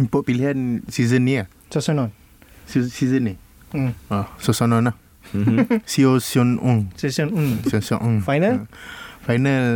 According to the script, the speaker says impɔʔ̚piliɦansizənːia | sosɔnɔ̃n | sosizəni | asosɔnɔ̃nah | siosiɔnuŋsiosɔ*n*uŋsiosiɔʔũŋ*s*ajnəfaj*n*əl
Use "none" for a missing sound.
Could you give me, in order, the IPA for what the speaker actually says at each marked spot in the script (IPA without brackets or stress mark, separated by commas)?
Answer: n, f, n